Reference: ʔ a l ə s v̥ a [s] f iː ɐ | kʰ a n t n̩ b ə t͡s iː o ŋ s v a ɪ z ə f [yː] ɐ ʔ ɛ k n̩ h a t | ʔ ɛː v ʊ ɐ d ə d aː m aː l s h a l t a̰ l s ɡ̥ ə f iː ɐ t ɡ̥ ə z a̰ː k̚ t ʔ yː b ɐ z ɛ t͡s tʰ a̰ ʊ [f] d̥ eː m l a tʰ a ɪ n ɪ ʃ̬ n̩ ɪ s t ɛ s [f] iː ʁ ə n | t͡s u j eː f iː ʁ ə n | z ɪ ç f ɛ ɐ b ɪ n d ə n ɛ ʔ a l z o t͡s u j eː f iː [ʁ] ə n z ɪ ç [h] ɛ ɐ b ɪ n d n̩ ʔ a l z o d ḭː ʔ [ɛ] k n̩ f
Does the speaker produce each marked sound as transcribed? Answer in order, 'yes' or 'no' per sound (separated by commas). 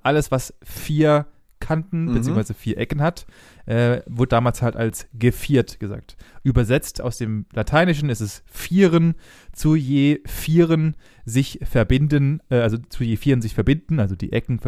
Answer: yes, no, no, yes, yes, no, yes